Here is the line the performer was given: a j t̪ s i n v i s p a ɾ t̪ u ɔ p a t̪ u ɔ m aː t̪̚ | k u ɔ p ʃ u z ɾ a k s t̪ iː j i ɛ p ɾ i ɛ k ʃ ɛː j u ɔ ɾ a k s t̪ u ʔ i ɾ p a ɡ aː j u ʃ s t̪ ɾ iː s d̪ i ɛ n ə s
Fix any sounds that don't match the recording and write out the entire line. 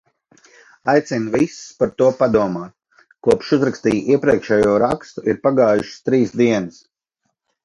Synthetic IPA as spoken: a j t̪ s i n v i s p a ɾ t̪ u ɔ p a d̪ u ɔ m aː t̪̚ | k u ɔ p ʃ u z ɾ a k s t̪ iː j i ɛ p ɾ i ɛ k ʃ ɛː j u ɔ ɾ a k s t̪ u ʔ i ɾ p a ɡ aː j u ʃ s t̪ ɾ iː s d̪ i ɛ n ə s